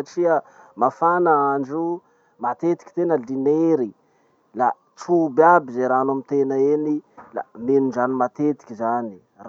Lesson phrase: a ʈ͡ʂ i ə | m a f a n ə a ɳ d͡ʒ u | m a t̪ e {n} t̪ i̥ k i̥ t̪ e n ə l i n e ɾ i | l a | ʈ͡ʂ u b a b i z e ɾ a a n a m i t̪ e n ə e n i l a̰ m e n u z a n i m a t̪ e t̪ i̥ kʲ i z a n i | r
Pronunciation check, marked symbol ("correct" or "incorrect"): incorrect